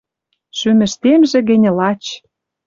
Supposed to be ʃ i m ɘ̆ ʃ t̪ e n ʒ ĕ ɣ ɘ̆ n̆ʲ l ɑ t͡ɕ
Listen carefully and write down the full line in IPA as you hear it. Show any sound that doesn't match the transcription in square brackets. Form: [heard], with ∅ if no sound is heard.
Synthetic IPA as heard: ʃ [y] m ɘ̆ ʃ t̪ e [m] ʒ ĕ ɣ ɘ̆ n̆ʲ l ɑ t͡ɕ